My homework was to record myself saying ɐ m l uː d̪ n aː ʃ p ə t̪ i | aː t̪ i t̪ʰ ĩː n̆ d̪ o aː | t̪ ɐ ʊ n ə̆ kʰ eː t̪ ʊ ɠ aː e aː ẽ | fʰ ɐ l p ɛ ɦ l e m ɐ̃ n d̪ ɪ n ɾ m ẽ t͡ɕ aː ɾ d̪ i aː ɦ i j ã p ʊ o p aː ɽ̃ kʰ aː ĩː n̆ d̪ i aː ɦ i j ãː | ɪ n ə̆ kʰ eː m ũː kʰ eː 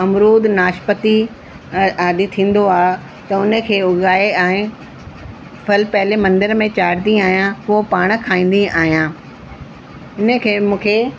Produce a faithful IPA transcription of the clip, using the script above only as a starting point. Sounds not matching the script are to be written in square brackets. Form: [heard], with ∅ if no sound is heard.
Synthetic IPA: ɐ m [ɾ] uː d̪ n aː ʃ p ə t̪ i | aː [d̪] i t̪ʰ ĩː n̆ d̪ o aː | t̪ ɐ ʊ n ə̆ kʰ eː [∅] ʊ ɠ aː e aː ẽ | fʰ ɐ l p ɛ ɦ l e m ɐ̃ n d̪ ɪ [∅] ɾ m ẽ t͡ɕ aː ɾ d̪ i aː ɦ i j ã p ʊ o p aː ɽ̃ kʰ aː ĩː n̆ d̪ i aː ɦ i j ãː | ɪ n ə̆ kʰ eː m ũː kʰ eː